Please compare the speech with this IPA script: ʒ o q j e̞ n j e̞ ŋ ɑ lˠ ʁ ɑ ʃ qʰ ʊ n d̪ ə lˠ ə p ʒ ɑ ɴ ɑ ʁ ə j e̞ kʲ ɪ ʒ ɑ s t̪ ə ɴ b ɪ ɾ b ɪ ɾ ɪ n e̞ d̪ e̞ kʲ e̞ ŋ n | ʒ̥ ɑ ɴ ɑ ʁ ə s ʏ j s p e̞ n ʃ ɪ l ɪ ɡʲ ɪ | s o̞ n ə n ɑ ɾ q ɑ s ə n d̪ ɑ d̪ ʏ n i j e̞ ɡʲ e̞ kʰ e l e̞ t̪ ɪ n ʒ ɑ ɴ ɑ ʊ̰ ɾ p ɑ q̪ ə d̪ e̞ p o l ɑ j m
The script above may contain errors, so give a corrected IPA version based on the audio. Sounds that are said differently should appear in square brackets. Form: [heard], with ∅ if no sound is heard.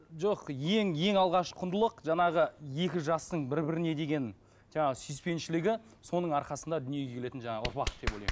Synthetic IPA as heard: ʒ o q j e̞ [ŋ] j e̞ ŋ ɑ lˠ ʁ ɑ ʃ qʰ ʊ n d̪ ə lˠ ə [q] ʒ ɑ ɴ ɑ ʁ ə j e̞ kʲ ɪ ʒ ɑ s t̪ ə ɴ b ɪ ɾ b ɪ ɾ ɪ n e̞ d̪ e̞ [ɡʲ] e̞ [∅] n | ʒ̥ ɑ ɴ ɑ ʁ ə s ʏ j s p e̞ n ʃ ɪ l ɪ ɡʲ ɪ | s o̞ n ə [ɴ] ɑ ɾ q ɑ s ə n d̪ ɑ d̪ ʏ n i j e̞ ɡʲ e̞ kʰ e l e̞ t̪ ɪ n ʒ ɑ ɴ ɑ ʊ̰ ɾ p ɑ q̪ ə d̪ e̞ p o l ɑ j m